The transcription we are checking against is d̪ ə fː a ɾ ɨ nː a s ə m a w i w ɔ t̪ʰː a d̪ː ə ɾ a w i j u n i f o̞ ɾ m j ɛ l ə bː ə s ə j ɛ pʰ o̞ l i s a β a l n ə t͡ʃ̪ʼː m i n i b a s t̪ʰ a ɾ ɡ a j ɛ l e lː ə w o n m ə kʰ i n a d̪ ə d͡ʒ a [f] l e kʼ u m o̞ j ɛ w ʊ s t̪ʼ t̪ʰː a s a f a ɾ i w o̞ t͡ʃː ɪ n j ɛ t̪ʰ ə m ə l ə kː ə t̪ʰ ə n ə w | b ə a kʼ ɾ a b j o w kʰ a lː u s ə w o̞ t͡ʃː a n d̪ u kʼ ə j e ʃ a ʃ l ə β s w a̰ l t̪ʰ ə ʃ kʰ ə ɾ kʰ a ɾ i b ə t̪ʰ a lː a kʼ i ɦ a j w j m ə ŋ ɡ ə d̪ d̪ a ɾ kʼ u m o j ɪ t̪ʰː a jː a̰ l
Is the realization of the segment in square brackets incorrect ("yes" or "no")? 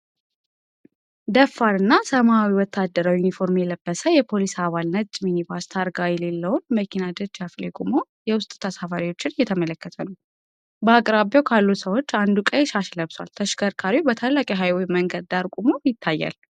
no